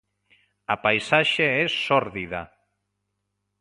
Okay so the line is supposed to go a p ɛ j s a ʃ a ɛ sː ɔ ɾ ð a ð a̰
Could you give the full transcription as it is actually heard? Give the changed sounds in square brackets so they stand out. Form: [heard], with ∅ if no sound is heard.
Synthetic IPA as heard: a p [a] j s a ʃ [e] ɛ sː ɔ ɾ ð [i] ð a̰